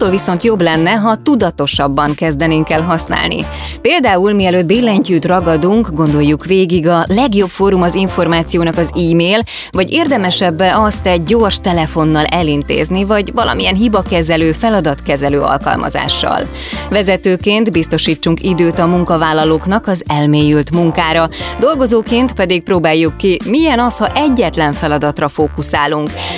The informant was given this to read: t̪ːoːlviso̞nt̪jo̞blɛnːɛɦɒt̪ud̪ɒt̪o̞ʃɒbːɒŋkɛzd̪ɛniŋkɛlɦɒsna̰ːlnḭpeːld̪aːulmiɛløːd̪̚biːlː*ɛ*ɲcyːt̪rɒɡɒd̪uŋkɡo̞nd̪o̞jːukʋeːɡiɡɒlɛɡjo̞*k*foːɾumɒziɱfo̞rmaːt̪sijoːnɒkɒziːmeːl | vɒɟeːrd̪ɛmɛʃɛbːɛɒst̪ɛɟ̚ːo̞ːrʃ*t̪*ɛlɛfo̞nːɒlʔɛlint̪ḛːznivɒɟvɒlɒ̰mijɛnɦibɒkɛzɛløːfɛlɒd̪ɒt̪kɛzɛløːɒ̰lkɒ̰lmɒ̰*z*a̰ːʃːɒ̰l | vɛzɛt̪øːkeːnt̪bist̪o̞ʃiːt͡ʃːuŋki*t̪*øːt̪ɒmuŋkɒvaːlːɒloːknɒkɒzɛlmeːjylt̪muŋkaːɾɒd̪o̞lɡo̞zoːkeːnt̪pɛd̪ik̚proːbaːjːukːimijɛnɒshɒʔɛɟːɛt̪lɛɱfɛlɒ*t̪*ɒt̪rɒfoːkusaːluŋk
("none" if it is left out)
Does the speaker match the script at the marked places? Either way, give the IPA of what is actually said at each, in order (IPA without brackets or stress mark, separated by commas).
ɛ, p, t̪, z, d̪, d̪